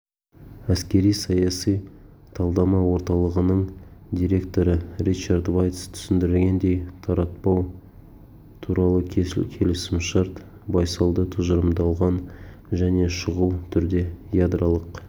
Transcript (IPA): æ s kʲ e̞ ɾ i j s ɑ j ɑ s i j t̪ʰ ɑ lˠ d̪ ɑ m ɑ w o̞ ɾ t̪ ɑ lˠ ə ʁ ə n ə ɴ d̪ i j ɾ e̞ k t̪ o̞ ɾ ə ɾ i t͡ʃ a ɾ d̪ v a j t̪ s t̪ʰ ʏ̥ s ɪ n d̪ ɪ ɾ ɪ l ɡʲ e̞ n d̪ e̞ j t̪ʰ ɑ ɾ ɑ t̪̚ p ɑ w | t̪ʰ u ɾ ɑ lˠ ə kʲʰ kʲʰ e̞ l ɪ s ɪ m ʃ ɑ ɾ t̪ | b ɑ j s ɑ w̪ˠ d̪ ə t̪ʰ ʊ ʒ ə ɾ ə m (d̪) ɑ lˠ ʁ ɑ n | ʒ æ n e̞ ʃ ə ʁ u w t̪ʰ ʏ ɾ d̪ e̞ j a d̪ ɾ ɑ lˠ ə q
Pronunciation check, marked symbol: correct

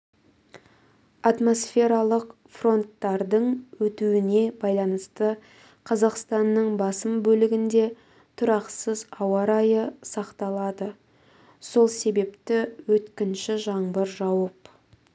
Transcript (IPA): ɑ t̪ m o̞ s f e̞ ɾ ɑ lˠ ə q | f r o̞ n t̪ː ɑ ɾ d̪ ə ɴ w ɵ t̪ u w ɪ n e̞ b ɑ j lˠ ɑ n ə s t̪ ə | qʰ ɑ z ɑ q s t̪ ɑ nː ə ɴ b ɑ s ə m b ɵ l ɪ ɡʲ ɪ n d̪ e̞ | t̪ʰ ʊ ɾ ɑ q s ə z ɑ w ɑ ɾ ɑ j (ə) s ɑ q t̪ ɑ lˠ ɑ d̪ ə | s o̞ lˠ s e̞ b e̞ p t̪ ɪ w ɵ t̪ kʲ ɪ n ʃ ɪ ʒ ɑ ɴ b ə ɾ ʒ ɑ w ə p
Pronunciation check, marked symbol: correct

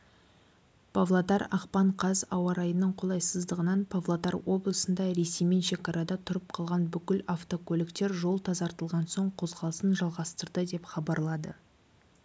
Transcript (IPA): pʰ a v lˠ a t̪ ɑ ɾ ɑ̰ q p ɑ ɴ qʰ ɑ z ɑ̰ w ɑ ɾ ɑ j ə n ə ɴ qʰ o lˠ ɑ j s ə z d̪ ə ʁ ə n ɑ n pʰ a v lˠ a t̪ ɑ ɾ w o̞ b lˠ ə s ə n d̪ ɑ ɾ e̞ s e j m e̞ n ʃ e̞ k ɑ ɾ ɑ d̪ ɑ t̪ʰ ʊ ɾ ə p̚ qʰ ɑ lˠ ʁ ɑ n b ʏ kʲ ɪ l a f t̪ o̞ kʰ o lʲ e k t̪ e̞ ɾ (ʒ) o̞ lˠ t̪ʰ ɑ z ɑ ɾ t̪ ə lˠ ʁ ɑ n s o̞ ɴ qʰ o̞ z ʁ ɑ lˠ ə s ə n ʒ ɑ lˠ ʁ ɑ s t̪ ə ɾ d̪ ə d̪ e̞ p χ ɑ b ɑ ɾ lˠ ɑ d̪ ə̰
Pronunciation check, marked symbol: correct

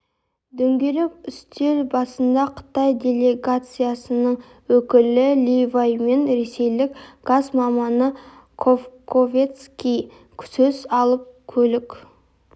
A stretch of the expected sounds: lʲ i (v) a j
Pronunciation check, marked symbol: correct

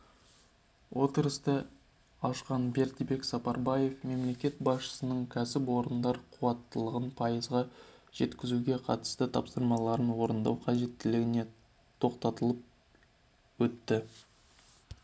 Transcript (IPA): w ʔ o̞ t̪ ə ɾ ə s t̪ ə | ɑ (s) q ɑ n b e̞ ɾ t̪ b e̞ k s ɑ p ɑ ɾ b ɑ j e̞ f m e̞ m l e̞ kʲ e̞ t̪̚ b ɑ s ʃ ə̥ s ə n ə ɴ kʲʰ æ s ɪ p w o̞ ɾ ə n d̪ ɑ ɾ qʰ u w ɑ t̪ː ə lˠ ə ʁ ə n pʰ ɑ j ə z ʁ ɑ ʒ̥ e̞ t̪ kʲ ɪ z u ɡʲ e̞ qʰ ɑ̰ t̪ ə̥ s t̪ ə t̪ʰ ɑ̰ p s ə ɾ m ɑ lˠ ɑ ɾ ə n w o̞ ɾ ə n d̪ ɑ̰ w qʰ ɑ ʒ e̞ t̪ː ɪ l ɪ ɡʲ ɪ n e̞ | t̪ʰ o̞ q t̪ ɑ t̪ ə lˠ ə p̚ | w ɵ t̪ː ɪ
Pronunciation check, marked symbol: incorrect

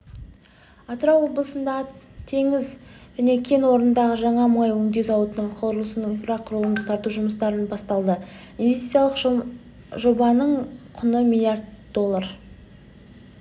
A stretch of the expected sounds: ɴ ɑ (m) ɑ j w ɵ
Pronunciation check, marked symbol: correct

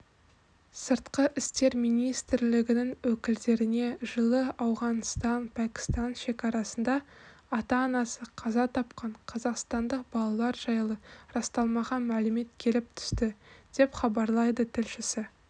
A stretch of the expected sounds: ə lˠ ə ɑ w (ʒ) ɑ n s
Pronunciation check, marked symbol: incorrect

